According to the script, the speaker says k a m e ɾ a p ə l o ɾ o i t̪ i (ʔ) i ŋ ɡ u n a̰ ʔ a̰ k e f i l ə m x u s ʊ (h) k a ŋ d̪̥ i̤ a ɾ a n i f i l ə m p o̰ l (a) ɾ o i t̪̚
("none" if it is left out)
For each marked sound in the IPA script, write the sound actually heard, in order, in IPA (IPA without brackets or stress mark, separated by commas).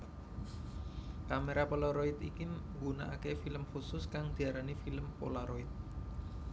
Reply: k, s, a